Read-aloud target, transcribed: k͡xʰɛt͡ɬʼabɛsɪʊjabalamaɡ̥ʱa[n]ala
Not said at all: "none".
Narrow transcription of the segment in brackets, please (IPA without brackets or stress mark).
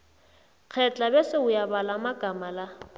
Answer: m